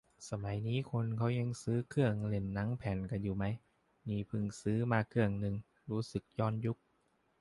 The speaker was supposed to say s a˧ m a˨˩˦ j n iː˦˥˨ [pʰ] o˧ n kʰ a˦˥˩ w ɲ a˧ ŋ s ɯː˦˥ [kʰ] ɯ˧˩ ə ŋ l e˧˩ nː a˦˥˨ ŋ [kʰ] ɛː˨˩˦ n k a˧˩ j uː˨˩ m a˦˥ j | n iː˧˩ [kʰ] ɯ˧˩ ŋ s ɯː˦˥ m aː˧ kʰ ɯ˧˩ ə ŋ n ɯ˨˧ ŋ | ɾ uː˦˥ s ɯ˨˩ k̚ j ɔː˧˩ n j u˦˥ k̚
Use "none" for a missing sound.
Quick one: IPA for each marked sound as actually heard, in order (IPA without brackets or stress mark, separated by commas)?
kʰ, kʰ, pʰ, pʰ